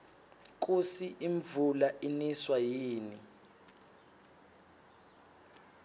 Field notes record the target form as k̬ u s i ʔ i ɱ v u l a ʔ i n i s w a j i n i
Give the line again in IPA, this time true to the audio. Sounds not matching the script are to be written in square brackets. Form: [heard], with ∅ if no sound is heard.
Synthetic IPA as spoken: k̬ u s i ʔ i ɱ v u l a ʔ i n i s w a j [iː] n i